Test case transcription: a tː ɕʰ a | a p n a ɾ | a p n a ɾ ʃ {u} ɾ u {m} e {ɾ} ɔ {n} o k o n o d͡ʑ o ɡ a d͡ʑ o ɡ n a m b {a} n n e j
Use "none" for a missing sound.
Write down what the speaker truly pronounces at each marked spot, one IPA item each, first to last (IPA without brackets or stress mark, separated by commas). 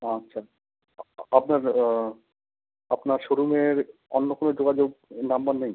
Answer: o, m, ɾ, nː, a